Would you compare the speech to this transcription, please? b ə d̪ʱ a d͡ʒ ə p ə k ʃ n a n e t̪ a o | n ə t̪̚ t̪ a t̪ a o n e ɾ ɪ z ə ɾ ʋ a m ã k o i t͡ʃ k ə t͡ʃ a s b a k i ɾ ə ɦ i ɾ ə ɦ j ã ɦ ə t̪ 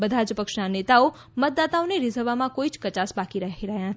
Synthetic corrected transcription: b ə d̪ʱ a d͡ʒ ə p ə k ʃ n a n e t̪ a o | m ə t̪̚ d̪ a t̪ a o n e ɾ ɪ z ə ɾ ʋ a m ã k o i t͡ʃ k ə t͡ʃ a s b a k i ɾ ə ɦ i ɾ ə ɦ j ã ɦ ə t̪